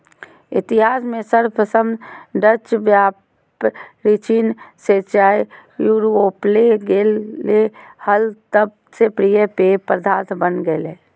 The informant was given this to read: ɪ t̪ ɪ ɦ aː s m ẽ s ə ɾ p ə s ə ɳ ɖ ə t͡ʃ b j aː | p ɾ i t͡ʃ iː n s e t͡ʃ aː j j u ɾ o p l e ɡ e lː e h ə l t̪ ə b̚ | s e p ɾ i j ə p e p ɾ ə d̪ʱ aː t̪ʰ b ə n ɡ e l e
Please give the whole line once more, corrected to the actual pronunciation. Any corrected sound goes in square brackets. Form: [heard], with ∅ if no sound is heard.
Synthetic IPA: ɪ t̪ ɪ ɦ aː s m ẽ s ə ɾ p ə s ə [m] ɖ ə t͡ʃ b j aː | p ɾ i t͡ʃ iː n s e t͡ʃ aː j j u ɾ o p l e ɡ e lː e h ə l t̪ ə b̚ | s e p ɾ i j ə p e p ɾ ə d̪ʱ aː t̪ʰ b ə n ɡ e l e